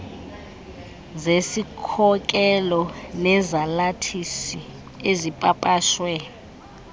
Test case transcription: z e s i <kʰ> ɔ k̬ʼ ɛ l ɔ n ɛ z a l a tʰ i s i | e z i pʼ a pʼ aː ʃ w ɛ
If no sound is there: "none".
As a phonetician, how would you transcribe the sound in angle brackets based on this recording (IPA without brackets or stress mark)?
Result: kʰ